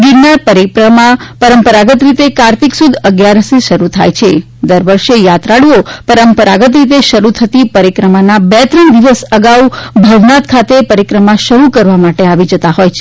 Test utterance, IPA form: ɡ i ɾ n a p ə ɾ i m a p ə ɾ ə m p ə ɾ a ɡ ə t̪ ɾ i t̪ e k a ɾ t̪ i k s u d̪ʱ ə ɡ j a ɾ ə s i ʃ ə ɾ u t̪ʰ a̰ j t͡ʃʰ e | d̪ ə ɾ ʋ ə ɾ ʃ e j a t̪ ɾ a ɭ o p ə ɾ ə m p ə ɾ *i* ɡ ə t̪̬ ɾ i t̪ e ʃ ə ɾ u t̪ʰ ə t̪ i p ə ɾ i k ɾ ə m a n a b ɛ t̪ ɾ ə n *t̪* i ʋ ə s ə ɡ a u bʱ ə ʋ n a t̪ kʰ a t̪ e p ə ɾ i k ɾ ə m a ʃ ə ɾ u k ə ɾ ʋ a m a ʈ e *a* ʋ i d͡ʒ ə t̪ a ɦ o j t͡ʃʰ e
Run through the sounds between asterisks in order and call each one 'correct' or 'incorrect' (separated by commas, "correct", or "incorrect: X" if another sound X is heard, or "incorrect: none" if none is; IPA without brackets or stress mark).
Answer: incorrect: a, incorrect: d̪, correct